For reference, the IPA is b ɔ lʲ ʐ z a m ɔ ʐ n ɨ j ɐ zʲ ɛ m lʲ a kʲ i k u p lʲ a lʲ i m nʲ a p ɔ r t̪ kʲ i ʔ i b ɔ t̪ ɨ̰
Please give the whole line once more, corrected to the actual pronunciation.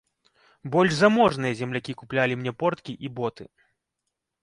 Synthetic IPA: b ɔ lʲ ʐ z a m ɔ ʐ n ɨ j ɐ zʲ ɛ m lʲ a kʲ i k u p lʲ a lʲ i m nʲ ɛ p ɔ r t̪ kʲ i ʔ i b ɔ t̪ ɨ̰

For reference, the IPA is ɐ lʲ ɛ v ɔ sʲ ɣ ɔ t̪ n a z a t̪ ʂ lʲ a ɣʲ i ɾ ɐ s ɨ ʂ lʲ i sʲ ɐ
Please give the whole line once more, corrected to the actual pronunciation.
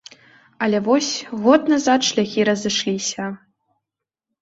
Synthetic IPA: ɐ lʲ ɛ v ɔ sʲ ɣ ɔ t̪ n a z a t̪ ʂ lʲ a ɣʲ i ɾ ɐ z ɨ ʂ lʲ i sʲ ɐ

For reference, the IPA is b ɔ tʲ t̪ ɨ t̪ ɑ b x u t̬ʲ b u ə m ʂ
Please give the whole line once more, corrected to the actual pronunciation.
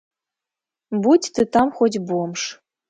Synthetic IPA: b u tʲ t̪ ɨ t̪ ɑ m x o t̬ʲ b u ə m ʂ

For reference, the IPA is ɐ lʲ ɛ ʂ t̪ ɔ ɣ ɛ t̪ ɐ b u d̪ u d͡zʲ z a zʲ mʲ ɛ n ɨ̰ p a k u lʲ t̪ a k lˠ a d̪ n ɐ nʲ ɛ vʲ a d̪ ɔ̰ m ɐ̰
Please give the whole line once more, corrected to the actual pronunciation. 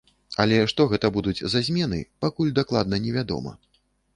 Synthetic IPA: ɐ lʲ ɛ ʂ t̪ ɔ ɣ ɛ t̪ ɐ b u d̪ u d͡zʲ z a zʲ mʲ ɛ n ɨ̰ p a k u lʲ d̪ a k lˠ a d̪ n ɐ nʲ ɛ vʲ a d̪ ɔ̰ m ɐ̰

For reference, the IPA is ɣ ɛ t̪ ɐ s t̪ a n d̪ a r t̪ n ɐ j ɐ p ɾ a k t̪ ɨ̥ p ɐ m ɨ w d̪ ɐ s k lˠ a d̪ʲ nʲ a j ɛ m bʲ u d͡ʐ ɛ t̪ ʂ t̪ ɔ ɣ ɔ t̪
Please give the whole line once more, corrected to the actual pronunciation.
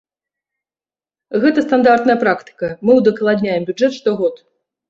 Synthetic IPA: ɣ ɛ t̪ ɐ s t̪ a n d̪ a r t̪ n ɐ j ɐ p ɾ a k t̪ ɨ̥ k ɐ m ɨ w d̪ ɐ k lˠ a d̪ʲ nʲ a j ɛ m bʲ u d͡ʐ ɛ t̪ ʂ t̪ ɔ ɣ ɔ t̪

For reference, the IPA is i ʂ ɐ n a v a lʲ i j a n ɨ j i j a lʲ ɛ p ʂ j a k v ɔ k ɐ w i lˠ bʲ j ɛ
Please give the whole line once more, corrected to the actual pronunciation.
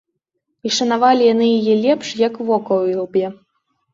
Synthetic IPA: i ʂ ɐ n a v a lʲ i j a n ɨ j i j ɛ lʲ ɛ p ʂ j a k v ɔ k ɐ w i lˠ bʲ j ɛ

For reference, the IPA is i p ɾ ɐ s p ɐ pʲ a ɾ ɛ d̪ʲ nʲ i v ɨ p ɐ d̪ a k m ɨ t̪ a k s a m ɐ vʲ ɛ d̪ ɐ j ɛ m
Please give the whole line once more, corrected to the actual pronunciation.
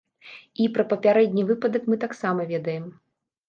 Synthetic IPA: i p ɾ ɐ p ɐ pʲ a ɾ ɛ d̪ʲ nʲ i v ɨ p ɐ d̪ ɐ k m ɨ t̪ a k s a m ɐ vʲ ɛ d̪ ɐ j ɛ m

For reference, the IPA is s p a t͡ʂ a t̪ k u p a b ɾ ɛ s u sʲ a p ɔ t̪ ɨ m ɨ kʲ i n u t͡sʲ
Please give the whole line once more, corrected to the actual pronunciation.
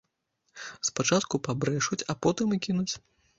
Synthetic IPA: s p a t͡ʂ a t̪ k u p a b ɾ ɛ ʂ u t͡sʲ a p ɔ t̪ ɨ m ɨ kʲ i n u t͡sʲ

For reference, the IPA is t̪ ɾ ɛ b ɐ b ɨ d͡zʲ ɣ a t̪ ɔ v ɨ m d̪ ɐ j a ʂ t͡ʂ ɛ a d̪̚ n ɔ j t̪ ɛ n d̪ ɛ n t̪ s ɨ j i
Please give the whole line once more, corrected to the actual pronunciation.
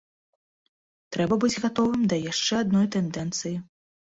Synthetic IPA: t̪ ɾ ɛ b ɐ b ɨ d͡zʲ ɣ a t̪ ɔ v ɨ m d̪ ɐ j a ʂ t͡ʂ ɛ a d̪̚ n ɔ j t̪ ɛ n d̪ ɛ n t̪ s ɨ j i

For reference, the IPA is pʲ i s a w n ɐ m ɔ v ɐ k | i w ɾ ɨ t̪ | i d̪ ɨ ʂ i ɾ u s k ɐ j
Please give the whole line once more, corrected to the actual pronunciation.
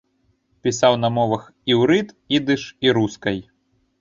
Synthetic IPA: pʲ i s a w n ɐ m ɔ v ɐ x | i w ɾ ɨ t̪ | i d̪ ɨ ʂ i ɾ u s k ɐ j

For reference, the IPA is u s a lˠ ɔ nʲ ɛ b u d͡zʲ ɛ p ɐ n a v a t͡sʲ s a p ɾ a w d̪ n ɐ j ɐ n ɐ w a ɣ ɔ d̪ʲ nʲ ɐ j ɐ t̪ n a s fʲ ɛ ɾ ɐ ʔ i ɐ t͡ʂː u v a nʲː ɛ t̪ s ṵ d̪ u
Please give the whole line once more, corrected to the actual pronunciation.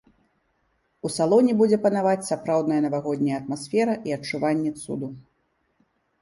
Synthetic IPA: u s a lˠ ɔ nʲ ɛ b u d͡zʲ ɛ p ɐ n a v a t͡sʲ s a p ɾ a w d̪ n ɐ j ɐ n ɐ v a ɣ ɔ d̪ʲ nʲ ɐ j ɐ t̪ m a s fʲ ɛ ɾ ɐ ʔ i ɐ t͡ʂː u v a nʲː ɛ t̪ s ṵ d̪ u

